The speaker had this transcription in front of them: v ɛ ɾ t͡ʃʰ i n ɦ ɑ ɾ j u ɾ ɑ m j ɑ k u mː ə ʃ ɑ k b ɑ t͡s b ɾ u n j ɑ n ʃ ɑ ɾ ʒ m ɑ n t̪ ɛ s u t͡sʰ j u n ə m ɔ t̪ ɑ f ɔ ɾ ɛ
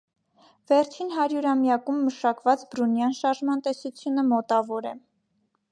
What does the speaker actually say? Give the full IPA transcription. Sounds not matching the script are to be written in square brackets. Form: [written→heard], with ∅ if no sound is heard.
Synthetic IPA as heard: v ɛ ɾ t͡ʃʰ i n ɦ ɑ ɾ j u ɾ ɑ m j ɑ k u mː ə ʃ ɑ k [b→v] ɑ t͡s b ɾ u n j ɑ n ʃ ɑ ɾ ʒ m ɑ n t̪ ɛ s u t͡sʰ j u n ə m ɔ t̪ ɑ [f→v] ɔ ɾ ɛ